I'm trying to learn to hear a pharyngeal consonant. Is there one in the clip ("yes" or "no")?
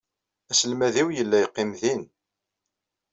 no